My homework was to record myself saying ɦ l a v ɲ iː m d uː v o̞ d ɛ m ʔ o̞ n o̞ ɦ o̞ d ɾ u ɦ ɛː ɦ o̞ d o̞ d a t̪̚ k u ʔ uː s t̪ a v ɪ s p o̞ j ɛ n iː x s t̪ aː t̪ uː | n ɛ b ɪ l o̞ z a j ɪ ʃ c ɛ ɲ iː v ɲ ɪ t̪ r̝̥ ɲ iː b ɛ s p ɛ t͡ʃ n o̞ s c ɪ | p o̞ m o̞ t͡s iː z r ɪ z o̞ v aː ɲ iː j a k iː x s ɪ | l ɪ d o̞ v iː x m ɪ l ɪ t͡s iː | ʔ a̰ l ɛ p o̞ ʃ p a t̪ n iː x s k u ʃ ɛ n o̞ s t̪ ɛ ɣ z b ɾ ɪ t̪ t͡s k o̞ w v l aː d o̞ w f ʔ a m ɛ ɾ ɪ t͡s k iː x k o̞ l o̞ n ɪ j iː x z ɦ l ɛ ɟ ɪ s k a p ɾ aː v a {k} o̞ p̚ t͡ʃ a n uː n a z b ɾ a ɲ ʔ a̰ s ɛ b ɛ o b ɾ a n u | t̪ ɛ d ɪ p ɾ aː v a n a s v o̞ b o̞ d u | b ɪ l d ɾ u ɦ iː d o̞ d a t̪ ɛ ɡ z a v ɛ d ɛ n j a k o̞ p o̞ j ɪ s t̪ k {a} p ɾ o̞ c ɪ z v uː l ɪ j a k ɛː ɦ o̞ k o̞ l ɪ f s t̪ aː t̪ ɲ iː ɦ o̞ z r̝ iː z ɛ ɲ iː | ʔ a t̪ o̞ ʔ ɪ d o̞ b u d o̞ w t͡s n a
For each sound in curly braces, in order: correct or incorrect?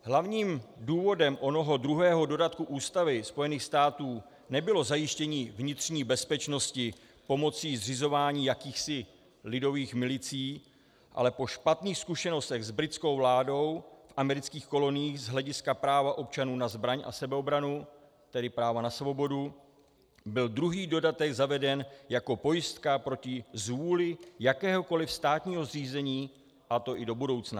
incorrect: ʔ, correct

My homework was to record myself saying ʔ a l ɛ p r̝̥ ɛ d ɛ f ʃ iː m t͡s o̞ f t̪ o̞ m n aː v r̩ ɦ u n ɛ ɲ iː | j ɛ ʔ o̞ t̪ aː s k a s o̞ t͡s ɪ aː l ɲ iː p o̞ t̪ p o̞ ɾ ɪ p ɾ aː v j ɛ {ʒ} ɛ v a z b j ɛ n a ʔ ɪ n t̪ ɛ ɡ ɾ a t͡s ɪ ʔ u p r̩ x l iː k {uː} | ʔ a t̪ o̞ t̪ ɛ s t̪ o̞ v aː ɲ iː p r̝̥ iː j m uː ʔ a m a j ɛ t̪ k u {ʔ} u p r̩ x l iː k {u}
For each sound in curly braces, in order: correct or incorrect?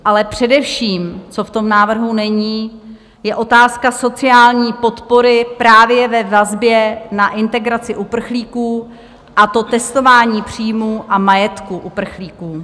incorrect: v, correct, correct, incorrect: uː

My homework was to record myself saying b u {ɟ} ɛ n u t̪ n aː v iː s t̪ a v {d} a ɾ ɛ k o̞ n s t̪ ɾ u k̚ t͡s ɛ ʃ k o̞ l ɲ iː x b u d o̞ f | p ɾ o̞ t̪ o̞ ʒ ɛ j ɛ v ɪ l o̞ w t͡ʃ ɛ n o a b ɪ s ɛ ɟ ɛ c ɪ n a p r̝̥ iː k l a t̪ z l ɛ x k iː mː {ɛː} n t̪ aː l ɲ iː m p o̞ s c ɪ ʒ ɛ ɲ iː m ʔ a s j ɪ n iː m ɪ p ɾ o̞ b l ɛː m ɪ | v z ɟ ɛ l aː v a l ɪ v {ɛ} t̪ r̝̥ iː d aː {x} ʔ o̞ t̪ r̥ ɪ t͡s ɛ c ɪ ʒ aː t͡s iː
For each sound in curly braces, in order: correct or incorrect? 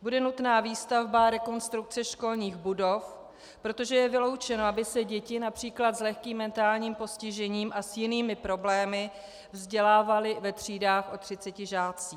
incorrect: d, incorrect: b, incorrect: ɛ, correct, correct

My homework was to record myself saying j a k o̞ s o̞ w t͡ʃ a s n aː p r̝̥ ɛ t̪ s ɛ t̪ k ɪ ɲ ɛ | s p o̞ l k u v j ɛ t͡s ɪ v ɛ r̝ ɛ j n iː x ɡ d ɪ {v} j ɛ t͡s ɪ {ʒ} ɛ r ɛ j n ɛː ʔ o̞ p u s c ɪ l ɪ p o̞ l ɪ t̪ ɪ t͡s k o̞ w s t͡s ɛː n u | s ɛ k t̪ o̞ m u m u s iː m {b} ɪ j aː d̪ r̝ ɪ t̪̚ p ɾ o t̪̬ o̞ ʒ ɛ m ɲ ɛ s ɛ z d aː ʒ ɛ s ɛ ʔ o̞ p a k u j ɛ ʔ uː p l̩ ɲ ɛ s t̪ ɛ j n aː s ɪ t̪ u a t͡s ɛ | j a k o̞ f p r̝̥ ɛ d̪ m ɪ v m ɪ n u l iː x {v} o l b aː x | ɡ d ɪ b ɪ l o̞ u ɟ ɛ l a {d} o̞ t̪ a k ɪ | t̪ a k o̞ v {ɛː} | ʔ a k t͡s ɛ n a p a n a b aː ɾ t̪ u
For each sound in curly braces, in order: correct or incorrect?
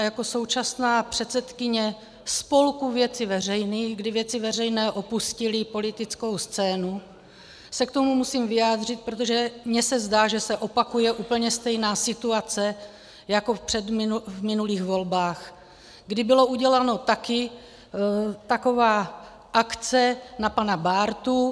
correct, incorrect: v, incorrect: v, correct, incorrect: n, incorrect: aː

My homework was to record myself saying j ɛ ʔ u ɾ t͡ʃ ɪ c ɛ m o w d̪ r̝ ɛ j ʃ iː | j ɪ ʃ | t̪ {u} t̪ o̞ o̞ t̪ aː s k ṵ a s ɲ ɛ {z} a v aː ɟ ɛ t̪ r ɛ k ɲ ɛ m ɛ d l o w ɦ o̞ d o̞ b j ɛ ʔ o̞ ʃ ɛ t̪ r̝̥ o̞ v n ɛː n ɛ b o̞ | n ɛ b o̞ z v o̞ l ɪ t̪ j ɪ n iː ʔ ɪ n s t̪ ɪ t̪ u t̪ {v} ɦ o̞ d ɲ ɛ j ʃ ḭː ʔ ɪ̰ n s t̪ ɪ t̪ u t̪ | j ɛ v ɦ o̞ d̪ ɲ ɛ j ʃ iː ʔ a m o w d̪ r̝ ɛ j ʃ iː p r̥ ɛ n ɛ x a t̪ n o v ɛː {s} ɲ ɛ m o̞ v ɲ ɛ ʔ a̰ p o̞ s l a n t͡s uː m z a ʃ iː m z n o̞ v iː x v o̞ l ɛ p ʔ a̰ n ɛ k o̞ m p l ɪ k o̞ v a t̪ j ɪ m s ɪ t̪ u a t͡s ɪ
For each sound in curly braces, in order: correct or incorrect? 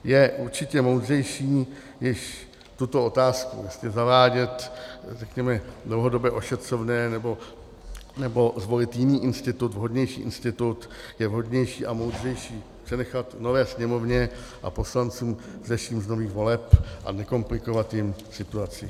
correct, correct, correct, correct

